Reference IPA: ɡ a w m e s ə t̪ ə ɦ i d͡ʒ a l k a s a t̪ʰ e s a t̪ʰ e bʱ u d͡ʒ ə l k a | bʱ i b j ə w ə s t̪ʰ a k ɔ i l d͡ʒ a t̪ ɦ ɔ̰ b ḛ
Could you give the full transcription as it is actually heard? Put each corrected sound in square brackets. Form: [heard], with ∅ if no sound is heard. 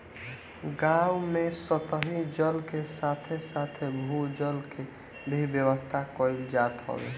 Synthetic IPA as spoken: ɡ a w m e s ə t̪ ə ɦ i d͡ʒ [ə] l k [e] s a t̪ʰ e s a t̪ʰ e bʱ u d͡ʒ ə l k [e] | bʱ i b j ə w ə s t̪ʰ a k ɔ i l d͡ʒ a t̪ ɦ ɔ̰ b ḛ